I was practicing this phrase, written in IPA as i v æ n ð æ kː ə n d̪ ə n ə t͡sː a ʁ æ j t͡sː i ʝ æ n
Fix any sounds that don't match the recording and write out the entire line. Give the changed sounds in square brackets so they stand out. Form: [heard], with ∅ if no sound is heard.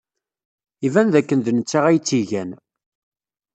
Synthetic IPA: i v æ n ð æ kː ə n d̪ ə n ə t͡sː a ʁ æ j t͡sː i ʝ æ n